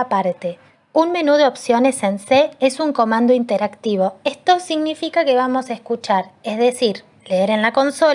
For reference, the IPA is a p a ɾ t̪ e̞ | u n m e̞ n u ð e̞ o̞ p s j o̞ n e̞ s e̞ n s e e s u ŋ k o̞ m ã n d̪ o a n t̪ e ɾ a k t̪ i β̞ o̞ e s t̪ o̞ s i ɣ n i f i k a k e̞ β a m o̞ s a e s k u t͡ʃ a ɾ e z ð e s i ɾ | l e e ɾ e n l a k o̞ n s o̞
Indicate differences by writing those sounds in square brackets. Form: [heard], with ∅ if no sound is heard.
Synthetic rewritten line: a p a ɾ t̪ e̞ | u n m e̞ n u ð e̞ o̞ p s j o̞ n e̞ s e̞ n s e e s u ŋ k o̞ m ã n d̪ o [i] n t̪ e ɾ a k t̪ i β̞ o̞ e s t̪ o̞ s i ɣ n i f i k a k e̞ β a m o̞ s a e s k u t͡ʃ a ɾ e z ð e s i ɾ | l e e ɾ e n l a k o̞ n s o̞

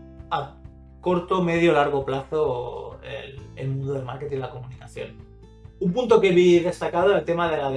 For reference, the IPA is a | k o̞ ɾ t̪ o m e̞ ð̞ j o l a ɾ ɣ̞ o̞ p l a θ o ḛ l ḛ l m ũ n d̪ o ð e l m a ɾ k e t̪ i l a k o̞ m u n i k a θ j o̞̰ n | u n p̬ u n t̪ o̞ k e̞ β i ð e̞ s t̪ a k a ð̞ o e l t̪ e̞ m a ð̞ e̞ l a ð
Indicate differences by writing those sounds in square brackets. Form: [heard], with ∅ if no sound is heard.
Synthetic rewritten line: a | k o̞ ɾ t̪ o m e̞ ð̞ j o l a ɾ ɣ̞ o̞ p l a θ o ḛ l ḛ l m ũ n d̪ o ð e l m a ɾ k e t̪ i l a k o̞ m u n i k a θ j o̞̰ n | u [m] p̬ u n t̪ o̞ k e̞ β i ð e̞ s t̪ a k a ð̞ o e l t̪ e̞ m a ð̞ e̞ l a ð

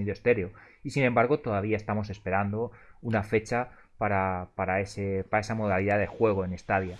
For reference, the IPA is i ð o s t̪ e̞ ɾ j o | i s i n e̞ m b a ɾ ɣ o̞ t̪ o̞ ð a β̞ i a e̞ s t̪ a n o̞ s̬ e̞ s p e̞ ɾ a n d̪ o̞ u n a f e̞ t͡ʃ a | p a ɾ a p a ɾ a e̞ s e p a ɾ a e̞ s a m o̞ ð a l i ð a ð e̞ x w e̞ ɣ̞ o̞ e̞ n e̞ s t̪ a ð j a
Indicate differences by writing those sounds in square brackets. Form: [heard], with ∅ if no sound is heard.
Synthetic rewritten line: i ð o s t̪ e̞ ɾ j o | i s i n e̞ m b a ɾ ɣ o̞ t̪ o̞ ð a β̞ i a e̞ s t̪ a [m] o̞ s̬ e̞ s p e̞ ɾ a n d̪ o̞ u n a f e̞ t͡ʃ a | p a ɾ a p a ɾ a e̞ s e p a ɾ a e̞ s a m o̞ ð a l i ð a ð e̞ x w e̞ ɣ̞ o̞ e̞ n e̞ s t̪ a ð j a

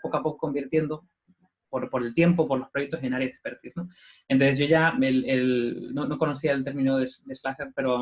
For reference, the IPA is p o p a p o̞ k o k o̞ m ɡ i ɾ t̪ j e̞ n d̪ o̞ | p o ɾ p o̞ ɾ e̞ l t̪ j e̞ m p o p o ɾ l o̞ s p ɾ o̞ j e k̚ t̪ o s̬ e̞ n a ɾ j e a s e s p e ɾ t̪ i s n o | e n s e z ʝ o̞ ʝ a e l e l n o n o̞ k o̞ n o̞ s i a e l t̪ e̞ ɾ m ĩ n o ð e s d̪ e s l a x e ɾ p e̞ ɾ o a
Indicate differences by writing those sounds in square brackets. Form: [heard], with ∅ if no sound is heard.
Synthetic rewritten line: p o [k] a p o̞ k o k o̞ m [b] i ɾ t̪ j e̞ n d̪ o̞ | p o ɾ p o̞ ɾ e̞ l t̪ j e̞ m p o p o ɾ l o̞ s p ɾ o̞ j e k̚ t̪ o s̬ e̞ n a ɾ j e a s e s p e ɾ t̪ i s n o | e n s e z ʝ o̞ ʝ a e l e l n o n o̞ k o̞ n o̞ s i a e l t̪ e̞ ɾ m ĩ n o ð e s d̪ e s l a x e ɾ p e̞ ɾ o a

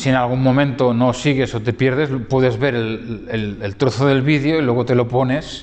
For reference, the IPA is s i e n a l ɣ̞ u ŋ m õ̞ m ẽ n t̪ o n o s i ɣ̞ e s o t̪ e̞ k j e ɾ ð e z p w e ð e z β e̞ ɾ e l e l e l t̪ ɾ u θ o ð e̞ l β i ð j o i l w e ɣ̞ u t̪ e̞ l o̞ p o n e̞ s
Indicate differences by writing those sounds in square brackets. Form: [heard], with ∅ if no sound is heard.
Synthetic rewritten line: s i e n a l ɣ̞ u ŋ m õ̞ m ẽ n t̪ o n o s i ɣ̞ e s o t̪ e̞ [p] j e ɾ ð e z p w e ð e z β e̞ ɾ e l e l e l t̪ ɾ [o] θ o ð e̞ l β i ð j o i l w e ɣ̞ [o] t̪ e̞ l o̞ p o n e̞ s

